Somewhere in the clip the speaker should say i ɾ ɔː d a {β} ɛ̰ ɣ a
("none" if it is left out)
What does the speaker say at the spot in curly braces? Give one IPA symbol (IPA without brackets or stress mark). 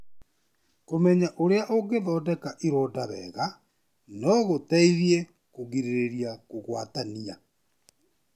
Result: β